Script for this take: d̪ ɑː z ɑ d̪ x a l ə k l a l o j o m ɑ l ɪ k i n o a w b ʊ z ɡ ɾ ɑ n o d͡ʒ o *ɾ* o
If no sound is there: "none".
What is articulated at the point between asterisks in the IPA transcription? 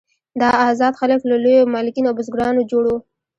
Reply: ɽ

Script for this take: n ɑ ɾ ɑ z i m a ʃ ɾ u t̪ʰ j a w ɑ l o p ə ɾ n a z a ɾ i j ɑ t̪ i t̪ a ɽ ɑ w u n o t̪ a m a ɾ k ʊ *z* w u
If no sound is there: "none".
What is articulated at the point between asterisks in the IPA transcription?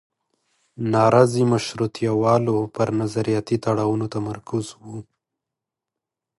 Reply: z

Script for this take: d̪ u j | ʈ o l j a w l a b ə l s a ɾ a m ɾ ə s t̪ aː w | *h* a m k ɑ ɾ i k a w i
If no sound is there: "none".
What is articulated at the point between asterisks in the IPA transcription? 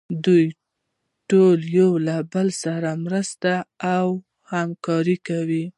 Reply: h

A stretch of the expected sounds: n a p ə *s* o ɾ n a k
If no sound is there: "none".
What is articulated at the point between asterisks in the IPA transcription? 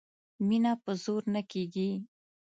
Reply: z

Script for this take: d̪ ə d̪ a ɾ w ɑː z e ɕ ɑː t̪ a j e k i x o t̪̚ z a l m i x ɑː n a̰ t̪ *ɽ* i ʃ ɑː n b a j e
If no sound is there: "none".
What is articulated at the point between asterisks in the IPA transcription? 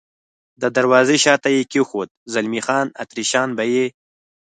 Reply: ɾ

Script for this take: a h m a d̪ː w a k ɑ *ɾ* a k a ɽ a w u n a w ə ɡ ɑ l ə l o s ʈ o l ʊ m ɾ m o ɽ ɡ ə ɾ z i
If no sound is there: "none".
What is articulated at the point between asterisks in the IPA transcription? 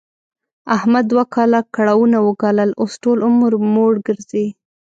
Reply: l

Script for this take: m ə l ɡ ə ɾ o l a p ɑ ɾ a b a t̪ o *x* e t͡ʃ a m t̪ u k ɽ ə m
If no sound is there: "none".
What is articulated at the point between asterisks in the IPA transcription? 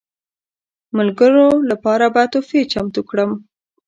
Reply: f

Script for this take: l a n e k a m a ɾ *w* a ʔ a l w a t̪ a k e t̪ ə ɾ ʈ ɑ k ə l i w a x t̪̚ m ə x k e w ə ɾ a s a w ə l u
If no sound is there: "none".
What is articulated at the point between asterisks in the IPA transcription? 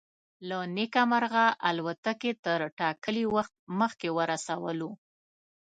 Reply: ɣ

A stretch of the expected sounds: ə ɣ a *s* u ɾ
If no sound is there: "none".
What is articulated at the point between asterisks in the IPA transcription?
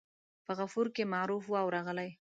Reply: f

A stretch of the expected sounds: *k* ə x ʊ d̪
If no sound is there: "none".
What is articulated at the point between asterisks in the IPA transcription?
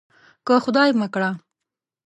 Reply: k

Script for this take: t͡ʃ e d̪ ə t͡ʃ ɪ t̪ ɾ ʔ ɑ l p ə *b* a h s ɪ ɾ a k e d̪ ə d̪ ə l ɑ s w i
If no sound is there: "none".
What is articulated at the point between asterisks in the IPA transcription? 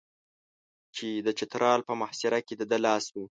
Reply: m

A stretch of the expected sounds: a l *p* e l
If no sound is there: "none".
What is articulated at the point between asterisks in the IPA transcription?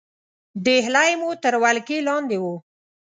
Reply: k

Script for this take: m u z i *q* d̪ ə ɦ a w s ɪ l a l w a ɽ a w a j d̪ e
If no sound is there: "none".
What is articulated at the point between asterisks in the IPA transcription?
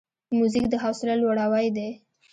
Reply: k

